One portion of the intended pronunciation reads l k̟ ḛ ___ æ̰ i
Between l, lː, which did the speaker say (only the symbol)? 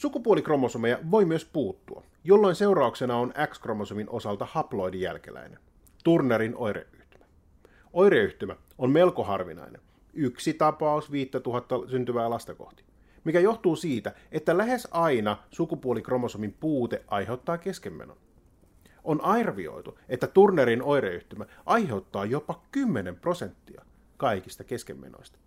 l